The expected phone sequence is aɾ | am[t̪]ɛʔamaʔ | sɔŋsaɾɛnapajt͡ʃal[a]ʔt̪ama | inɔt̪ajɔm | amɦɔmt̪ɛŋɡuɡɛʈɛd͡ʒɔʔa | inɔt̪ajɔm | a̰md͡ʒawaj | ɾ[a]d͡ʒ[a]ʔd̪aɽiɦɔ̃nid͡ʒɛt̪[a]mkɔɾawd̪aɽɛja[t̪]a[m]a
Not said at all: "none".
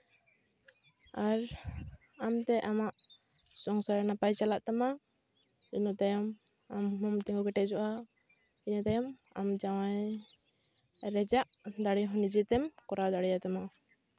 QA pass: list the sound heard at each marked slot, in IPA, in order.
t̪, a, ɛ, a, ɛ, t̪, m

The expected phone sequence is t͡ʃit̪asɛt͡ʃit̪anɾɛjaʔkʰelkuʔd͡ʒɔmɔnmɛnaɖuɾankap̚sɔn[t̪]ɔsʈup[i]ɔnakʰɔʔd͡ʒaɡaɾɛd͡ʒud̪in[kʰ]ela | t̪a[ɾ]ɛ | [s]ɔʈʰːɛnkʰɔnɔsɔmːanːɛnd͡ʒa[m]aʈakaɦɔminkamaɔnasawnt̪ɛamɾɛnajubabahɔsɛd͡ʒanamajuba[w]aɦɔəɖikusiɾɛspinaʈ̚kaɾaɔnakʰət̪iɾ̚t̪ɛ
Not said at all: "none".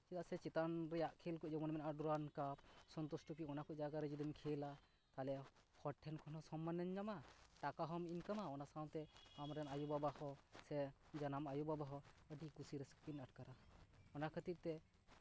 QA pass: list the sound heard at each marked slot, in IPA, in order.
t̪, i, kʰ, l, h, m, b

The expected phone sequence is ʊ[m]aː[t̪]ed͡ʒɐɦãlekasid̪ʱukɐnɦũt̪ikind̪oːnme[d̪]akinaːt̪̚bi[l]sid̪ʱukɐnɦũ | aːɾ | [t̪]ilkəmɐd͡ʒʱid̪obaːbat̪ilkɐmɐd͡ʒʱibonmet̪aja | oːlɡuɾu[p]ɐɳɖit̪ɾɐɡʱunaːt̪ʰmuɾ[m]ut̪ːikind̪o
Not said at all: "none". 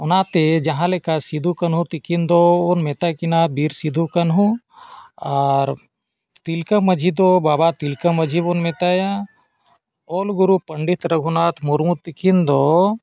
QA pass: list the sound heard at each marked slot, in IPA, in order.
n, t̪, t̪, ɾ, t̪, p, m

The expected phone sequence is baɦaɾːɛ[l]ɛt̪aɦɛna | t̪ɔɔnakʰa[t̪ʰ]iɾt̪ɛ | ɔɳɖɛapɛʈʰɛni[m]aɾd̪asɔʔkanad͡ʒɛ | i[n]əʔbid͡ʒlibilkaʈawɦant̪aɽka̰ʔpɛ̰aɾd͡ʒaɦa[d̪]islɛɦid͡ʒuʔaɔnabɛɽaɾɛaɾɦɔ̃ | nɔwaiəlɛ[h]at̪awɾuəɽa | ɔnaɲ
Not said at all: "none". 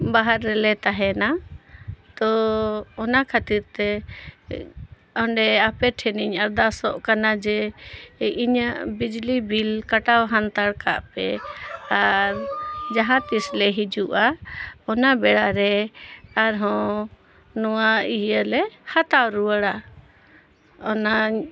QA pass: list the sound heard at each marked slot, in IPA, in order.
l, t̪, ɲ, ɲ, t̪, h

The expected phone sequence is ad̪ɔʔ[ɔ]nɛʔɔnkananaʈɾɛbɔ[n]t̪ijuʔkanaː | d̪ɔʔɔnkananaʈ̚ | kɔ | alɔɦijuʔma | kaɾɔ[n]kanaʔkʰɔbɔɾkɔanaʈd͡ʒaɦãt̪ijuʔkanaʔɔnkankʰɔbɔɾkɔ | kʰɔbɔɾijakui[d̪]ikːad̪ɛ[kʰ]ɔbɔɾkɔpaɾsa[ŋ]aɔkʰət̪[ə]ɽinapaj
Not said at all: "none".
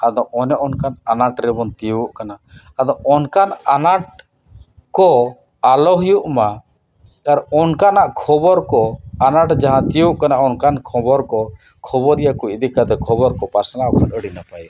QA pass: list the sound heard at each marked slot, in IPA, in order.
ɔ, n, n, d̪, kʰ, n, ə

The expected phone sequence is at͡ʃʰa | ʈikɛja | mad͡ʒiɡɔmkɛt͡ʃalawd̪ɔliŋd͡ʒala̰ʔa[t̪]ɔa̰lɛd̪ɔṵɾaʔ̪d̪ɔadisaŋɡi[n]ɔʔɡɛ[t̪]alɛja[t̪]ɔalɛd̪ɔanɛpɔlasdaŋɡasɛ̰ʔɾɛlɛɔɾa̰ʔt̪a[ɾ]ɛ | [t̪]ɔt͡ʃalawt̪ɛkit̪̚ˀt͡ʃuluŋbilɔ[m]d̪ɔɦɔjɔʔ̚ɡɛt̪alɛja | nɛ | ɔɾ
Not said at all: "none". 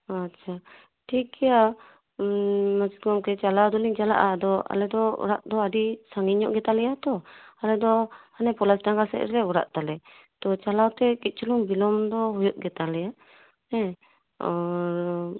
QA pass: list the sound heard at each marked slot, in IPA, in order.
d̪, ɲ, t̪, t̪, l, t̪, m

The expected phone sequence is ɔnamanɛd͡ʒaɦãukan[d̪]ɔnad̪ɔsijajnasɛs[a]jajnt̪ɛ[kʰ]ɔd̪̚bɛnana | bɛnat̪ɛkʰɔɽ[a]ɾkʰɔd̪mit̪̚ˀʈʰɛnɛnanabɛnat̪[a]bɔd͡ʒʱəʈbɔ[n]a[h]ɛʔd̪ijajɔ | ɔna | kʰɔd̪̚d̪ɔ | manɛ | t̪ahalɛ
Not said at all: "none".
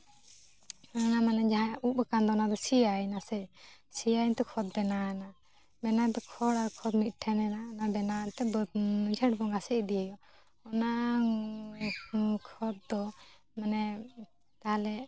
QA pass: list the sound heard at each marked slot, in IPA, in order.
d̪, i, kʰ, a, ɛ, ŋ, s

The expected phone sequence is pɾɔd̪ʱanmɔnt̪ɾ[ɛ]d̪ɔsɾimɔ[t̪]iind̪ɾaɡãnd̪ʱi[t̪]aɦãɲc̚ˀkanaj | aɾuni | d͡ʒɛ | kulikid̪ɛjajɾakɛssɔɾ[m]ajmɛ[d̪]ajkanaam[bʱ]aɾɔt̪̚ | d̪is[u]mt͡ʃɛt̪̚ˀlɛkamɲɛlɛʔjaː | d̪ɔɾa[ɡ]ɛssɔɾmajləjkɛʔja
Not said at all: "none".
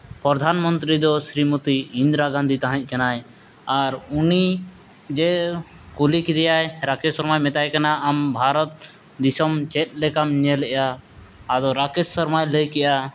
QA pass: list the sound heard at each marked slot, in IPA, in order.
i, t̪, t̪, m, t̪, bʱ, ɔ, k

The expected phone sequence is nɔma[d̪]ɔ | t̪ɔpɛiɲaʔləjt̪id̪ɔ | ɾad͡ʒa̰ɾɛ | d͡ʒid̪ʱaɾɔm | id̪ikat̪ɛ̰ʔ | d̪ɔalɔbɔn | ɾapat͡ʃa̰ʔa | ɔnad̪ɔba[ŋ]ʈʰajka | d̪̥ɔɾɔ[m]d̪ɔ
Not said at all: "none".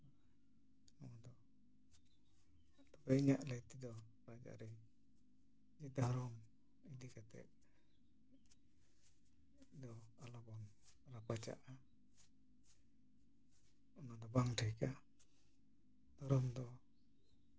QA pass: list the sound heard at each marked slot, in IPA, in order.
d̪, ŋ, m

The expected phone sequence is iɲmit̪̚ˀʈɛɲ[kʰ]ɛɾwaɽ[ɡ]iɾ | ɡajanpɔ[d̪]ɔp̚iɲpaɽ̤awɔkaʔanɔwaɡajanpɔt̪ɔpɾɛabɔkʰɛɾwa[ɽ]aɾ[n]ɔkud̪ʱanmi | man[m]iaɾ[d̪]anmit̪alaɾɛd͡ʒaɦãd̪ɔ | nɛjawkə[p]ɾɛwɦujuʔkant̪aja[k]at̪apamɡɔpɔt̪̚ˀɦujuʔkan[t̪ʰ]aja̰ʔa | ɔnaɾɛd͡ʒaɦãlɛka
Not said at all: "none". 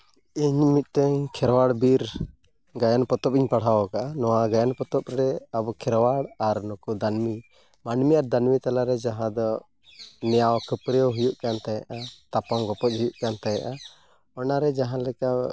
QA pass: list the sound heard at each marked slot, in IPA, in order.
kʰ, b, t̪, ɽ, n, m, d̪, p, ʔ, t̪

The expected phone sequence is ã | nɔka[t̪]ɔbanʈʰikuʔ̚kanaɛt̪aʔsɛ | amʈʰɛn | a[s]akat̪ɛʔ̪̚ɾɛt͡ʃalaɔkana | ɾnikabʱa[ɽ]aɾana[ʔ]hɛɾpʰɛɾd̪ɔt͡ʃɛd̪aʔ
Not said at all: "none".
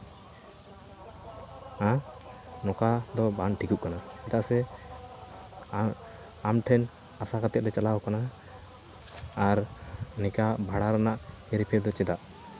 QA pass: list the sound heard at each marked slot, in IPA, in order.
d̪, s, ɽ, ʔ

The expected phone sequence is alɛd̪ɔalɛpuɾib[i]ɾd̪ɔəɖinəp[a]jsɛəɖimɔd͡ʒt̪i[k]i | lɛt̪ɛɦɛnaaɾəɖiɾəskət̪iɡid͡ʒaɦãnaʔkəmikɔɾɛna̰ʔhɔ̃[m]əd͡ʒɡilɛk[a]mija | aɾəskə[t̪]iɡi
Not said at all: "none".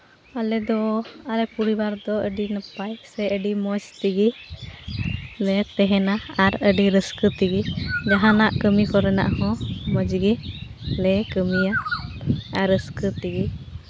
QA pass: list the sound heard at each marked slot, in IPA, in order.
a, a, ɡ, m, ə, t̪

